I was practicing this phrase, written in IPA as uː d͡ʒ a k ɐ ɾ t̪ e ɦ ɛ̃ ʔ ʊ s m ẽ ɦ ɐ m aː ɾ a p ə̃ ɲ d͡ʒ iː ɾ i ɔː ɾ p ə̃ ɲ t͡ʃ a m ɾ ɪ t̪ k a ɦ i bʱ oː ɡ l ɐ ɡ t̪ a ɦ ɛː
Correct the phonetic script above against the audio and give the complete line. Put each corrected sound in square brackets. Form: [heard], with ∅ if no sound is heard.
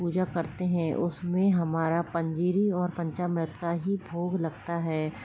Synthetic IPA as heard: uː d͡ʒ a k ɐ ɾ t̪ e ɦ ɛ̃ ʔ ʊ s m ẽ ɦ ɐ m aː ɾ a p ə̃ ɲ d͡ʒ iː ɾ i ɔː ɾ p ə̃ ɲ t͡ʃ a m ɾ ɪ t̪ k a ɦ i bʱ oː ɡ l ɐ ɡ t̪ a ɦ ɛː